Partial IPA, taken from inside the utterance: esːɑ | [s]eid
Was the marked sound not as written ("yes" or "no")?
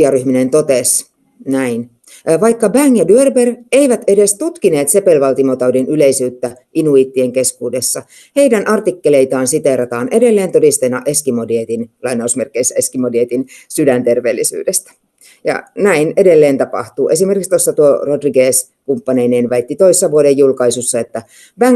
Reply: yes